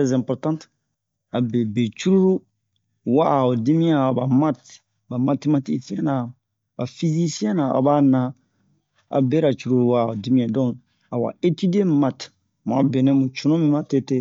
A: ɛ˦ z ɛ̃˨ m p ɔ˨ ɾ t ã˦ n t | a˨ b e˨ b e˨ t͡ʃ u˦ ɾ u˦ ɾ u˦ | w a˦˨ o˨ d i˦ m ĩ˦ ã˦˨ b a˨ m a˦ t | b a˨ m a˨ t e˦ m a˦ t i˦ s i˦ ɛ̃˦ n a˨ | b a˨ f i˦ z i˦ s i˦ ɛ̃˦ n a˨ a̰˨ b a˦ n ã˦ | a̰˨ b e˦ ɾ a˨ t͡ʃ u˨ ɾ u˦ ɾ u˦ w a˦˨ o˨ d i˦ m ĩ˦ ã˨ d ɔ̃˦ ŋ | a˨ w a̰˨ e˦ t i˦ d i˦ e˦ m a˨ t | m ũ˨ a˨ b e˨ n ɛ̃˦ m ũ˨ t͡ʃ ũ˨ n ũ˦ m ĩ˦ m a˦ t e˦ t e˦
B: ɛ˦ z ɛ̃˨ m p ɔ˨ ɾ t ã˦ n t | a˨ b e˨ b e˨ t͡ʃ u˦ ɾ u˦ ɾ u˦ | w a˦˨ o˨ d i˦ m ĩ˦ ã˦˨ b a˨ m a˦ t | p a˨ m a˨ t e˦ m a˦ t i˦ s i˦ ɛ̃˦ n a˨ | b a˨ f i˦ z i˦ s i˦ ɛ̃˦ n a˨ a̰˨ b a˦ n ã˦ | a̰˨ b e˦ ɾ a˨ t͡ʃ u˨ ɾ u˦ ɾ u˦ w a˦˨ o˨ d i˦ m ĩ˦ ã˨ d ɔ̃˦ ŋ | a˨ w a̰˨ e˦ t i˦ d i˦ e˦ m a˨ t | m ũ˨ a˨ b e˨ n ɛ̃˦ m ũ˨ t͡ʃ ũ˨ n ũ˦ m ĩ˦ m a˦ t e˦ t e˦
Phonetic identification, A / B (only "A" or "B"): A